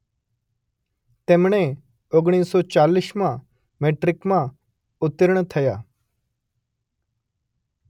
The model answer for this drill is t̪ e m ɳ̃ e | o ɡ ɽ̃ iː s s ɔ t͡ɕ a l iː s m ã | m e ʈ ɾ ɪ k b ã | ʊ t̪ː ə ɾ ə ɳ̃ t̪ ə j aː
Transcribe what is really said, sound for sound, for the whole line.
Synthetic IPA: t̪ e m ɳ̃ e | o ɡ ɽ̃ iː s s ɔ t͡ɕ a l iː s m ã | m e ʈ ɾ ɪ k m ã | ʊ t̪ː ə ɾ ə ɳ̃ t̪ʰ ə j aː